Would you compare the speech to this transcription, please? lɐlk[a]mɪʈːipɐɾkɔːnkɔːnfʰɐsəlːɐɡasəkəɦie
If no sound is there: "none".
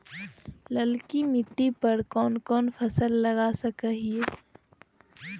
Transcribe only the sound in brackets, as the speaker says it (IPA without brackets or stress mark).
i